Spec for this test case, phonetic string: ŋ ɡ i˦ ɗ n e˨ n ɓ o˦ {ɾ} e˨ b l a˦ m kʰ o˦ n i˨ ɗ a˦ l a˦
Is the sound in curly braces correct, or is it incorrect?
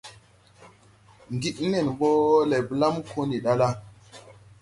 incorrect